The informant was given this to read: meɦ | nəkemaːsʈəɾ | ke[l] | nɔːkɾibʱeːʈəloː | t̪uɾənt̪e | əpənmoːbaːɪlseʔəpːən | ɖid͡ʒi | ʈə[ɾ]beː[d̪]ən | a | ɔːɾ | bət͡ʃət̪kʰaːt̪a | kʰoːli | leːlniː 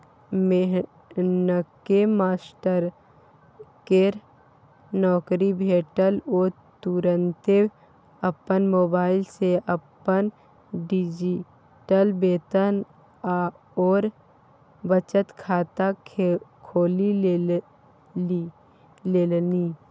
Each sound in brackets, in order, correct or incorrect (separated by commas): incorrect, incorrect, incorrect